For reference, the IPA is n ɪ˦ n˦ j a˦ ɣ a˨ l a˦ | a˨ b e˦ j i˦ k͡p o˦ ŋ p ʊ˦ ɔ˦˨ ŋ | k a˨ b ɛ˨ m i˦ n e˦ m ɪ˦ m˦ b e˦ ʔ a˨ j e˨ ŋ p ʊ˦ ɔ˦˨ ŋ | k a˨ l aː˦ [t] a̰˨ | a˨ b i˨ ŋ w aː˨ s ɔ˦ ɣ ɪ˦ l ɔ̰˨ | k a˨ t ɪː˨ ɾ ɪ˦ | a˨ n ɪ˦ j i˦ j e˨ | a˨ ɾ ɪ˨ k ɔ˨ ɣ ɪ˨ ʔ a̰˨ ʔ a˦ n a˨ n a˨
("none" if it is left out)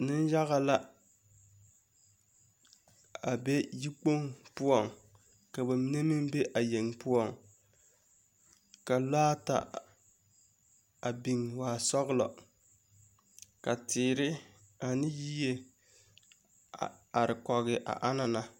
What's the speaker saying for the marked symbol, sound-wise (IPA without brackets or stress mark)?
t